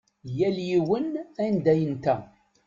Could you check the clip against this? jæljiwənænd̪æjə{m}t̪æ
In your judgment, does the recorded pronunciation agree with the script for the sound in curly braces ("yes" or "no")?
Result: no